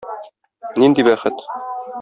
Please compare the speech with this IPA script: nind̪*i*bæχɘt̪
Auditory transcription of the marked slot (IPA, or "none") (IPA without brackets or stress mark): i